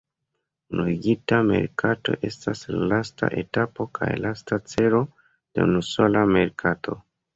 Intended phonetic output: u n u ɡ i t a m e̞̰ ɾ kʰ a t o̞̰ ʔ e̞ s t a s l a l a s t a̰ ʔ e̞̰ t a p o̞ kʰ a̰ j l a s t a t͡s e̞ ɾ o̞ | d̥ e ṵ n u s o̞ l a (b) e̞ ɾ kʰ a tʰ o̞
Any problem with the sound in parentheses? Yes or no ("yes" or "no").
yes